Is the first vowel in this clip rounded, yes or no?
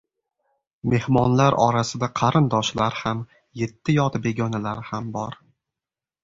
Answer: no